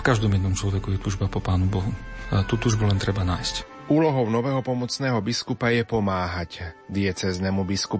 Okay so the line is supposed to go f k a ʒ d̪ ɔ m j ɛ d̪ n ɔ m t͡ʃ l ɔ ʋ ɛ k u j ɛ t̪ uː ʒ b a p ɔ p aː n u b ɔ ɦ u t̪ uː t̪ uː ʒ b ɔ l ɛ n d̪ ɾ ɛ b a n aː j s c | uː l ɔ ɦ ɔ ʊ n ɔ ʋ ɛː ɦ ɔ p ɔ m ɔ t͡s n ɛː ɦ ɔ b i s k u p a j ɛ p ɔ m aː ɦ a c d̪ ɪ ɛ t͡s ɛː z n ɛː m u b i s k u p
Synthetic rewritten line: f k a ʒ d̪ ɔ m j ɛ d̪ n ɔ m t͡ʃ l ɔ ʋ ɛ k u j ɛ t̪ uː ʒ b a p ɔ p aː n u b ɔ ɦ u t̪ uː t̪ uː ʒ b u l ɛ n t̪ ɾ ɛ b a n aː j s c | uː l ɔ ɦ ɔ ʊ n ɔ ʋ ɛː ɦ ɔ p ɔ m ɔ t͡s n ɛː ɦ ɔ b i s k u p a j ɛ p ɔ m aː ɦ a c d̪ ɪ ɛ t͡s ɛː z n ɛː m u b i s k u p